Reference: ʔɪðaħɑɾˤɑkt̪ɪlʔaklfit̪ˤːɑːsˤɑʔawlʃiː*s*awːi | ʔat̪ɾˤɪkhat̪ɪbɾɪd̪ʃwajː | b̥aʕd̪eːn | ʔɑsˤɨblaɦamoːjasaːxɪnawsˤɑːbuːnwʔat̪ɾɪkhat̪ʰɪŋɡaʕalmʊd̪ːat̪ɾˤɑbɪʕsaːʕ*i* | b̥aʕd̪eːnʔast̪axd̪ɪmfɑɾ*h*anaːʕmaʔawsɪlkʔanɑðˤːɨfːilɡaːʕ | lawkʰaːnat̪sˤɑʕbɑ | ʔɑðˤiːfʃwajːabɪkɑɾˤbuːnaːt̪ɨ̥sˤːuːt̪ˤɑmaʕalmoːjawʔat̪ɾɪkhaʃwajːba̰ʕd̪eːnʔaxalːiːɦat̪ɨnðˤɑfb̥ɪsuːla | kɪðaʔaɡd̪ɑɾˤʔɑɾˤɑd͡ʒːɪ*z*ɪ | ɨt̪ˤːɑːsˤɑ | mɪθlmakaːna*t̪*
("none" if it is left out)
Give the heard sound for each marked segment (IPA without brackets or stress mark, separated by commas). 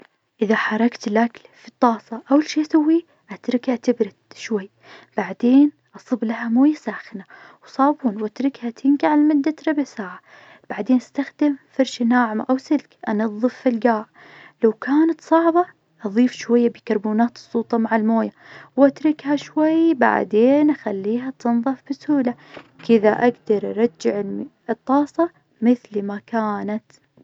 s, a, ʃ, ʕ, t̪